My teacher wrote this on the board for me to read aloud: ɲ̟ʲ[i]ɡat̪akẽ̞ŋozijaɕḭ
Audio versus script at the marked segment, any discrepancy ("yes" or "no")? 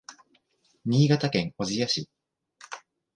yes